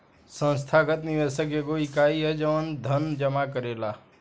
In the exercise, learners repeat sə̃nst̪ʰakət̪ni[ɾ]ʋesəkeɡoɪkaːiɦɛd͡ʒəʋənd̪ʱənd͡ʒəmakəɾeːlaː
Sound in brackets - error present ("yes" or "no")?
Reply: yes